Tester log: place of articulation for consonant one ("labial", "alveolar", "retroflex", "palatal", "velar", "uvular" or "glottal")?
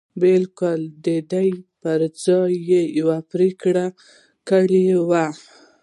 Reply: labial